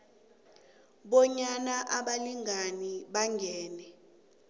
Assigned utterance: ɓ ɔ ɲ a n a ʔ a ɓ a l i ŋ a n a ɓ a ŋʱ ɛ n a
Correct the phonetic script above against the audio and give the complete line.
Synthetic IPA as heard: ɓ ɔ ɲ a n a ʔ a ɓ a l i ŋ a n i ɓ a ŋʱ ɛː n ɛ